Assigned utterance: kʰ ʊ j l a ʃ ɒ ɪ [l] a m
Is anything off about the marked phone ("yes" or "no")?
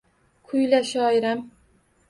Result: yes